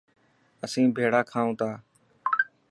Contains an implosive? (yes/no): no